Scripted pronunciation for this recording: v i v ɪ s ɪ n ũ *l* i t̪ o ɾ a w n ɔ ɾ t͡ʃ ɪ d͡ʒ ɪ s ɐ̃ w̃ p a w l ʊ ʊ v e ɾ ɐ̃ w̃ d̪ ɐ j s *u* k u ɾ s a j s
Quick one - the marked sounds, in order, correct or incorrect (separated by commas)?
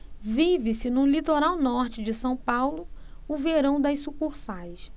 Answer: correct, correct